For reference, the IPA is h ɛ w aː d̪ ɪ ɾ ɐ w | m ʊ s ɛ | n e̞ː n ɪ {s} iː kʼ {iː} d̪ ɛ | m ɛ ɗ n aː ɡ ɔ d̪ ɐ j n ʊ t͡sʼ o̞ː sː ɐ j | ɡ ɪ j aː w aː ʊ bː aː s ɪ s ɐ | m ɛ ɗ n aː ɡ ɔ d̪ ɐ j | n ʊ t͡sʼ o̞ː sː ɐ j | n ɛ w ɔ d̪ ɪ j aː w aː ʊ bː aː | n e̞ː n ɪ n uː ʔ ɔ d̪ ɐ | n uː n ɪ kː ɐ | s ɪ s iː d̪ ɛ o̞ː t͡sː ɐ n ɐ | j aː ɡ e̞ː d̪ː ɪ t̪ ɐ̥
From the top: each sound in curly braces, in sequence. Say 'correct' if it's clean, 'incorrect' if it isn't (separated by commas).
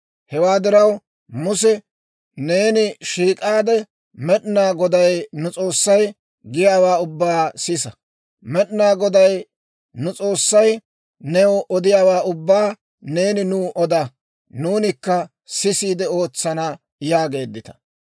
incorrect, incorrect